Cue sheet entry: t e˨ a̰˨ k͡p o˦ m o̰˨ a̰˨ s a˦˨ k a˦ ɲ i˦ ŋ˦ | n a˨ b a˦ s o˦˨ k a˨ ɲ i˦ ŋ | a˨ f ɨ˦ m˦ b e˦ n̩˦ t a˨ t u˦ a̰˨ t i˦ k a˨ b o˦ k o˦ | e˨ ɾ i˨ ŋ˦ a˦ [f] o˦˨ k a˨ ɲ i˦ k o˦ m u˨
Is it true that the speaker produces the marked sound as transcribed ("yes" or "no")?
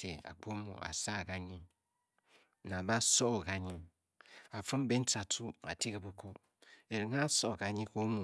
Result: no